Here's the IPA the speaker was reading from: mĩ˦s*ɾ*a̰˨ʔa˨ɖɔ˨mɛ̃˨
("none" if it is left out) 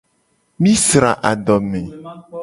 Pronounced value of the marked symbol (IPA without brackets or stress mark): ɾ